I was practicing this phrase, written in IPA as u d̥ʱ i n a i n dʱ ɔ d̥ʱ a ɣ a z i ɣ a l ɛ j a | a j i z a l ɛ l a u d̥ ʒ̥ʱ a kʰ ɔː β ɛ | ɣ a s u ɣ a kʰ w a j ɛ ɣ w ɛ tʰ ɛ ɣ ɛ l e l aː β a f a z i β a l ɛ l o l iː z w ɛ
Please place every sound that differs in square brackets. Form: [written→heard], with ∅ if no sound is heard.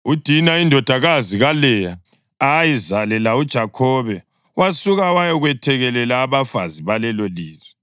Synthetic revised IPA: u d̥ʱ i n a i n dʱ ɔ d̥ʱ a ɣ a z i ɣ a l ɛ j a | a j i z a l ɛ l a u d̥ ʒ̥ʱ a kʰ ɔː β ɛ | [ɣ→w] a s u ɣ a [kʰ→∅] w a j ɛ ɣ w ɛ tʰ ɛ ɣ ɛ l [e→ɛ] l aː β a f a z i β a l ɛ l o l iː z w ɛ